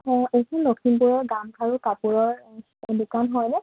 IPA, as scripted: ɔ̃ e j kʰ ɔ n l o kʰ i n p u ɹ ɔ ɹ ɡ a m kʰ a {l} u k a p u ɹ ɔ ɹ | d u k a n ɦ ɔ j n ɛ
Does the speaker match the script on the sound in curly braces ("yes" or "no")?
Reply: no